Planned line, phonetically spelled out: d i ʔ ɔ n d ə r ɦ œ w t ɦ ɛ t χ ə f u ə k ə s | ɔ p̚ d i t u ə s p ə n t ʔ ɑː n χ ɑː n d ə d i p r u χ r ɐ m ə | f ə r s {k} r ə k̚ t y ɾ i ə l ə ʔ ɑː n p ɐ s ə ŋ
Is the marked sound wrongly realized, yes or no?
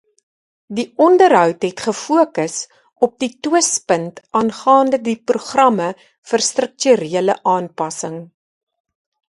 yes